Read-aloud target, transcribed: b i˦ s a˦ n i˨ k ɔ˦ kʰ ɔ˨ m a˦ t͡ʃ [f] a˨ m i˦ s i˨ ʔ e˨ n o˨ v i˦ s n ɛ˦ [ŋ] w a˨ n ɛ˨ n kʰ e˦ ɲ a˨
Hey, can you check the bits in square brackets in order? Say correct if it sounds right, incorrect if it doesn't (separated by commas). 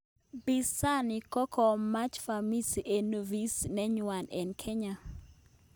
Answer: correct, incorrect